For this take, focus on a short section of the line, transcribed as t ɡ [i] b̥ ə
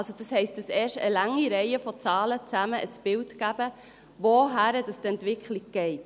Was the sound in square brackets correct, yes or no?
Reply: no